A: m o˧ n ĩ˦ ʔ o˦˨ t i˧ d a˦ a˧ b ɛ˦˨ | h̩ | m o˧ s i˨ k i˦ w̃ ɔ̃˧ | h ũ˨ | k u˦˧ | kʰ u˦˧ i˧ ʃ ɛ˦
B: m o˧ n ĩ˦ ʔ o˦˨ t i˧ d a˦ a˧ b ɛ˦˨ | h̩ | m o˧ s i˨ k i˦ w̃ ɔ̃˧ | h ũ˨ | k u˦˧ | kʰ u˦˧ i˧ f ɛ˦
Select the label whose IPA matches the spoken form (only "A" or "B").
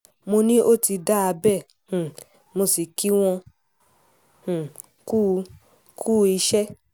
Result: A